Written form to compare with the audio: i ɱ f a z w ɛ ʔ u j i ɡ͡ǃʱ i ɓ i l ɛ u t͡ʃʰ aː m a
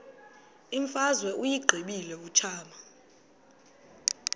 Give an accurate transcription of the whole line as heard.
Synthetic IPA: i ɱ f a z w ɛ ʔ u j i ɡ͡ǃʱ i ɓ i l ɛ u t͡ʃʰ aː m a